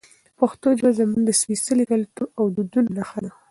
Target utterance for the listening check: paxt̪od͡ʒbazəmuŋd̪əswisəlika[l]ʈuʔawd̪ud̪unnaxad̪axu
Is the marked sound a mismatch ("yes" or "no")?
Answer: no